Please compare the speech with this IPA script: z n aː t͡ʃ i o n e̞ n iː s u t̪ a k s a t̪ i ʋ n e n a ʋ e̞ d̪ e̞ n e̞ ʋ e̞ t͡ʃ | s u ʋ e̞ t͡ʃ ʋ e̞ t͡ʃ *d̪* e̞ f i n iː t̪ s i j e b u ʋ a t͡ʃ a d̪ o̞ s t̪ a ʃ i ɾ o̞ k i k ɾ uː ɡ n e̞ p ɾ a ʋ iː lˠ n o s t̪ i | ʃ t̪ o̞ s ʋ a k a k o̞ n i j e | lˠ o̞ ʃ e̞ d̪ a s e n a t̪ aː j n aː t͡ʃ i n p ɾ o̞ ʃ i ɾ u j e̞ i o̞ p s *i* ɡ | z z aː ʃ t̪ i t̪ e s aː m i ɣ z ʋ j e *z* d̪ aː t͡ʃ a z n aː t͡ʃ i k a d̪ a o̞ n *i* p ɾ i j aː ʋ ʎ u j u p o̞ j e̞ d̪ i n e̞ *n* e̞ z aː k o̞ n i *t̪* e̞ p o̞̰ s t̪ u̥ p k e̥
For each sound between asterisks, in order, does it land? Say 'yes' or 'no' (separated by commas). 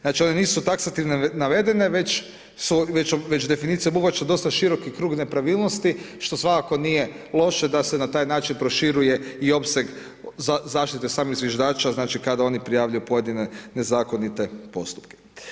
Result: yes, no, no, yes, yes, yes